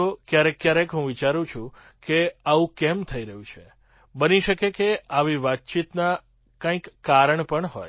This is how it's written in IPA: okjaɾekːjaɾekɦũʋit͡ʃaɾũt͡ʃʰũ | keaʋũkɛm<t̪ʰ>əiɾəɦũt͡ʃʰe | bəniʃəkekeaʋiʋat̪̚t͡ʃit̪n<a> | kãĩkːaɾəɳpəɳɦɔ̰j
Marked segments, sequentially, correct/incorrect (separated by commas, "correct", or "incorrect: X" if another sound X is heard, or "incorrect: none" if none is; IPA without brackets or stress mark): correct, correct